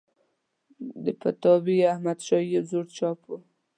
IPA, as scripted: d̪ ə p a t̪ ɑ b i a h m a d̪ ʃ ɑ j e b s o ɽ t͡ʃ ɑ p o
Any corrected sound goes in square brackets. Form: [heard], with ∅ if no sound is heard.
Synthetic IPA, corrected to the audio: d̪ ə p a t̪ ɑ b i a h m a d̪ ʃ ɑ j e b [z] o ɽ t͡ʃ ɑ p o